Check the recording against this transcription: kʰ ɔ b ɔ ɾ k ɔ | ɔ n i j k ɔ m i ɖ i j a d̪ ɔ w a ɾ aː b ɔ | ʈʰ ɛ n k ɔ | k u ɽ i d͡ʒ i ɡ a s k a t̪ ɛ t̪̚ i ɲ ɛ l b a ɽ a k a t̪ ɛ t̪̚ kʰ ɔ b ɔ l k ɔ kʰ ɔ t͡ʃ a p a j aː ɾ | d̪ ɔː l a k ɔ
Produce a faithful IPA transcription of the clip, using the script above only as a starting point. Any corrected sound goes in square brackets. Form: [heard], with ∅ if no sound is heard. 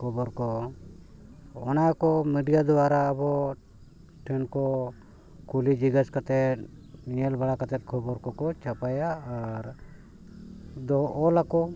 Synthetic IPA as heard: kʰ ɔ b ɔ ɾ k ɔ | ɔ n [a] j k ɔ m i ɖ i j a d̪ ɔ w a ɾ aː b ɔ | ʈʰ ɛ n k ɔ | k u [l] i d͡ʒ i ɡ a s k a t̪ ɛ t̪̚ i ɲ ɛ l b a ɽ a k a t̪ ɛ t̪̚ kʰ ɔ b ɔ [ɾ] k ɔ [k] ɔ t͡ʃ a p a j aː ɾ | d̪ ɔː l a k ɔ